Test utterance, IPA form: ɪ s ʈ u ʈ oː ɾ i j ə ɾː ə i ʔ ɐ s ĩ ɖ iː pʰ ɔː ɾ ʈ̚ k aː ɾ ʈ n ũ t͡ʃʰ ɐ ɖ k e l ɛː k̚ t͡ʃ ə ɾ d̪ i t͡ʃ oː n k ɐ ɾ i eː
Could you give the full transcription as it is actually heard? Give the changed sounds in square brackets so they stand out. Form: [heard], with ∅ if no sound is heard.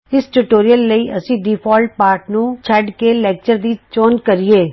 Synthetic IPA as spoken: ɪ s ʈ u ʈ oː ɾ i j ə [lː] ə i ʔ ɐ s ĩ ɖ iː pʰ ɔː [l] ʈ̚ [p] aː ɾ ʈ n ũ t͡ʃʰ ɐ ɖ k e l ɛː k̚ t͡ʃ ə ɾ d̪ i t͡ʃ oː n k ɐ ɾ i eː

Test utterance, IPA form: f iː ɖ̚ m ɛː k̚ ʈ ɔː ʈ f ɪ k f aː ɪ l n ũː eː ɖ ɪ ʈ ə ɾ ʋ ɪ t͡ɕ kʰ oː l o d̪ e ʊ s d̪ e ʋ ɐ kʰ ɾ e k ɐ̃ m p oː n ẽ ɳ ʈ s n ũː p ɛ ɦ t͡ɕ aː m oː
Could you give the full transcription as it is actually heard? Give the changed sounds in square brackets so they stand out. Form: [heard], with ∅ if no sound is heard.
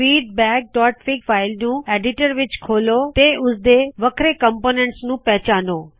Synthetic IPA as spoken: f iː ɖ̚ [b] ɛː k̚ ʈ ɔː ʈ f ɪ k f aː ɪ l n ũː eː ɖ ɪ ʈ ə ɾ ʋ ɪ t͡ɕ kʰ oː l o [t̪] e ʊ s d̪ e ʋ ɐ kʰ ɾ e k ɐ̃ m p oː n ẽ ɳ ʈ s n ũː p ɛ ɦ t͡ɕ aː [n] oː

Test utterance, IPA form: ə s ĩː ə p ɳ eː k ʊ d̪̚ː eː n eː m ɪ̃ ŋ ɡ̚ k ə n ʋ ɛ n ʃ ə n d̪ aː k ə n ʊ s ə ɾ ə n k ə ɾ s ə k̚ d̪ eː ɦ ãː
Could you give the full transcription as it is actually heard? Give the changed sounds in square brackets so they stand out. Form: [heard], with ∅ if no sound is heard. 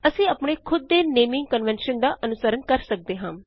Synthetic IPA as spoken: ə s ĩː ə p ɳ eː [kʰ] ʊ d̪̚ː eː n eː m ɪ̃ ŋ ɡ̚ k ə n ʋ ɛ n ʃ ə n d̪ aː [ʔ] ə n ʊ s ə ɾ ə n k ə ɾ s ə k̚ d̪ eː ɦ ãː

